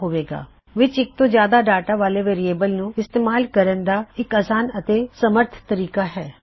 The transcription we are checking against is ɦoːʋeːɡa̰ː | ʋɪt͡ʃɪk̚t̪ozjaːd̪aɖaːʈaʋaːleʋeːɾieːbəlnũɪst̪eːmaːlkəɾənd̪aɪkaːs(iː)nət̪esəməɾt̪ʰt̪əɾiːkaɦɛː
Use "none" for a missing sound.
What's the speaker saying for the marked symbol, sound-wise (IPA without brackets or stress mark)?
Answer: aː